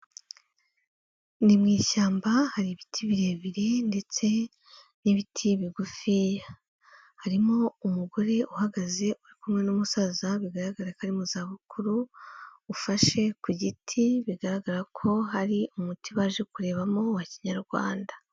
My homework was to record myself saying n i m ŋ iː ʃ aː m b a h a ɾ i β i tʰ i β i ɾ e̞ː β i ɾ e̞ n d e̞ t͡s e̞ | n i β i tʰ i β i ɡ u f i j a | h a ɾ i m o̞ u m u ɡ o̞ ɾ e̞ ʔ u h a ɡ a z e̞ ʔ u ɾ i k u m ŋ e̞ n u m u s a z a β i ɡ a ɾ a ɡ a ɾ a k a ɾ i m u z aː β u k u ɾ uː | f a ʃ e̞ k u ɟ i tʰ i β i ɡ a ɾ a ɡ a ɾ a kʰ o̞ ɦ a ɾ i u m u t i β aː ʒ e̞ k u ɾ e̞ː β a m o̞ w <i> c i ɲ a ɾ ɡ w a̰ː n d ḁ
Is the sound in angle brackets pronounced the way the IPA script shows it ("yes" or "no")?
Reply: no